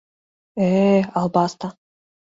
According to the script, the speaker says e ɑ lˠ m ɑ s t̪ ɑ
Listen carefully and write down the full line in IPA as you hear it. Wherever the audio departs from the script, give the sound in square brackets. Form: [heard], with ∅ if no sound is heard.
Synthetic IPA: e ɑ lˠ [b] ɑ s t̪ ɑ